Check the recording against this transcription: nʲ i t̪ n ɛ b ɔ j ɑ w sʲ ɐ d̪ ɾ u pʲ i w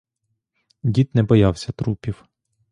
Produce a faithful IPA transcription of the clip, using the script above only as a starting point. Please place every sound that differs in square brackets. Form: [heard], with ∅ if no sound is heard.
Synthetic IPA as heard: [dʲ] i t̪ n ɛ b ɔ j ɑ w sʲ ɐ [t̪] ɾ u pʲ i w